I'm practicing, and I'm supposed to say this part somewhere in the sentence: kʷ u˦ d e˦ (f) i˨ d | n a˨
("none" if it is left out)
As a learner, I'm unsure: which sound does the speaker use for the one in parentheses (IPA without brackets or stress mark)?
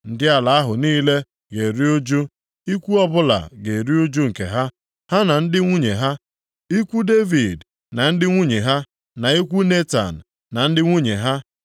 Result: v